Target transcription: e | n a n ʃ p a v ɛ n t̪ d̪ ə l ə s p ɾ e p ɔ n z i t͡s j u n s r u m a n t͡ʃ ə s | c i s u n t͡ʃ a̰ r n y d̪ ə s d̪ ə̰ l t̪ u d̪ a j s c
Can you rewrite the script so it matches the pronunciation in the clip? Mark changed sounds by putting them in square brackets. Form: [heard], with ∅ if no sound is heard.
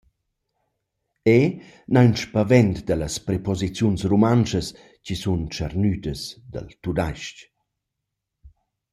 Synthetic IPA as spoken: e | n a n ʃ p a v ɛ n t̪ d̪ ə l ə s p ɾ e p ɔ [∅] z i t͡s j u n s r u m a n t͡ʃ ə s | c i s u n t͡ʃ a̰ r n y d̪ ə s d̪ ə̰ l t̪ u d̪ a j [ʃ] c